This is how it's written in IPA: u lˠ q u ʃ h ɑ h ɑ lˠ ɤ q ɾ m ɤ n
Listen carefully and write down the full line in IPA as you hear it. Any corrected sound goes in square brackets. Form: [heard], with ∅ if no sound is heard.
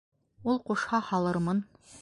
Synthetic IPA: u lˠ q u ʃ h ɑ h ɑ lˠ ɤ [∅] ɾ m ɤ n